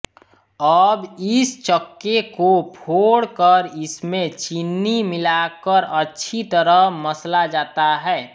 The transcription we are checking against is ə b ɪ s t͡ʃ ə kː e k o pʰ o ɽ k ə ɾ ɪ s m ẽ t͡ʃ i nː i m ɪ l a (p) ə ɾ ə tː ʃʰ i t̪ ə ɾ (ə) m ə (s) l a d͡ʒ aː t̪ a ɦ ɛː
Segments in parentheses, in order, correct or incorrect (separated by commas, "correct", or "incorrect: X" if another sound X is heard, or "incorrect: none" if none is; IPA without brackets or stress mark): incorrect: k, correct, correct